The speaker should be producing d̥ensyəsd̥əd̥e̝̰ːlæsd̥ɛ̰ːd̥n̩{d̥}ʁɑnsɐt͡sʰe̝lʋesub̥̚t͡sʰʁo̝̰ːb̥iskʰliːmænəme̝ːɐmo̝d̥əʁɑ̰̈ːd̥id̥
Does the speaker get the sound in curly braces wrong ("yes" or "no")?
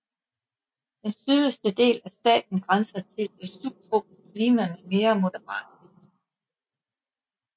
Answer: yes